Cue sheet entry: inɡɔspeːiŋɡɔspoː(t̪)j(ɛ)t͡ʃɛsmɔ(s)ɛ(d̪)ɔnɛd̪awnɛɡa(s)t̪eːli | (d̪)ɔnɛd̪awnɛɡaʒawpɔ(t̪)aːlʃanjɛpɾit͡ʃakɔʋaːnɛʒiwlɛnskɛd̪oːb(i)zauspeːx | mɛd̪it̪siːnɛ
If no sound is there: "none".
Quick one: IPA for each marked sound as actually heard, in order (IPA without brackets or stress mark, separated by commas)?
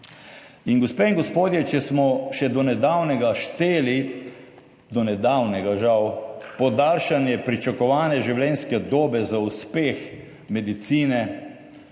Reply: d̪, ɛ, ʃ, d̪, ʃ, d̪, d̪, ɛ